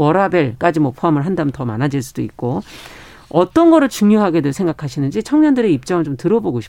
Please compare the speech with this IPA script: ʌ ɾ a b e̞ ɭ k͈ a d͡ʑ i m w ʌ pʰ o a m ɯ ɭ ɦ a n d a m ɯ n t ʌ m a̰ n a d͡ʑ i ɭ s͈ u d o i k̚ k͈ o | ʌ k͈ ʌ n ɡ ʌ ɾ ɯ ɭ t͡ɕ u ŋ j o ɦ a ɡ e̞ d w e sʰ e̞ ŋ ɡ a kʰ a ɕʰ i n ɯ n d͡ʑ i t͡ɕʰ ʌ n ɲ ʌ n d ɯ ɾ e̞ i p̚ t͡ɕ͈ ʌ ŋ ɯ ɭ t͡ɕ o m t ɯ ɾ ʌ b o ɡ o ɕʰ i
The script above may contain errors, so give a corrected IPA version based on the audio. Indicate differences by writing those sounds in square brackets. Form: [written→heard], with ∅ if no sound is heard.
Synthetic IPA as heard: ʌ ɾ a b e̞ ɭ k͈ a d͡ʑ i m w ʌ pʰ o a m ɯ ɭ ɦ a n d a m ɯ n t ʌ m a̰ n a d͡ʑ i ɭ s͈ u d o i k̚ k͈ o | ʌ [k͈→t͈] ʌ n ɡ ʌ ɾ ɯ ɭ t͡ɕ u ŋ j o ɦ a ɡ e̞ d w e sʰ e̞ ŋ ɡ a kʰ a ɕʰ i n ɯ n d͡ʑ i t͡ɕʰ ʌ [n→ŋ] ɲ ʌ n d ɯ ɾ e̞ i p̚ t͡ɕ͈ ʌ ŋ ɯ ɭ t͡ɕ o m t ɯ ɾ ʌ b o ɡ o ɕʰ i